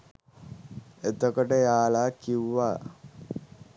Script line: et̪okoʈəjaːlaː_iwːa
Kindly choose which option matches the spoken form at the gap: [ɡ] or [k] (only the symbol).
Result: k